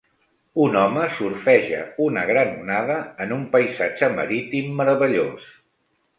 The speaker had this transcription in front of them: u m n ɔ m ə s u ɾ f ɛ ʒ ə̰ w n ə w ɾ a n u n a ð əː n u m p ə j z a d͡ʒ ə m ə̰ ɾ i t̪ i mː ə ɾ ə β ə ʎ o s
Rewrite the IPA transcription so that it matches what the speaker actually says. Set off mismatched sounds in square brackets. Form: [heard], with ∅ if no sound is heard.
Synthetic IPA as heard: u [∅] n ɔ m ə s u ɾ f ɛ ʒ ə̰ [u] n ə [ɣ] ɾ a n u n a ð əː n u m p ə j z a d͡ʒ ə m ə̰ ɾ i t̪ i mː ə ɾ ə β ə ʎ o s